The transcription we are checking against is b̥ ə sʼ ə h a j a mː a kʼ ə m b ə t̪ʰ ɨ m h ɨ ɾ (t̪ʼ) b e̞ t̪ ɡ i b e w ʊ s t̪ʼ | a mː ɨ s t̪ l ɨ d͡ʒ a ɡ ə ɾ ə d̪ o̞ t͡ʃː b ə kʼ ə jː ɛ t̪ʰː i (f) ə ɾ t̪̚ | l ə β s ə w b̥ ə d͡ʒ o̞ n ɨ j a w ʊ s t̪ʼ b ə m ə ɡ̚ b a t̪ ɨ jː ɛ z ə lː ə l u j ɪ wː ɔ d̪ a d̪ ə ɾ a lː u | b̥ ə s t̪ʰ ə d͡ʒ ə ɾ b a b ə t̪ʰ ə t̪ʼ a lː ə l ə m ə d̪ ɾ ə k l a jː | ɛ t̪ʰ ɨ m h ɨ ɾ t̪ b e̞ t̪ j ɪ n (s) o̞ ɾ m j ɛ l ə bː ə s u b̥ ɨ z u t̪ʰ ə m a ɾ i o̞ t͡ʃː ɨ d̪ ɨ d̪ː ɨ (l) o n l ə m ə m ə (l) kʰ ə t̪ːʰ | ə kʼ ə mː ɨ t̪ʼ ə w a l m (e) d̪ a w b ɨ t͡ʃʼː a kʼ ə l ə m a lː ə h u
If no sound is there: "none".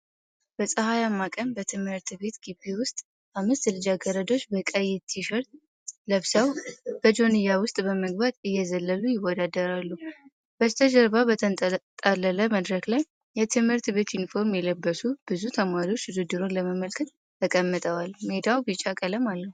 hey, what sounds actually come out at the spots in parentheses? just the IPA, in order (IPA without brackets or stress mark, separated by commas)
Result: t̪, ʃ, f, ɾ, l, e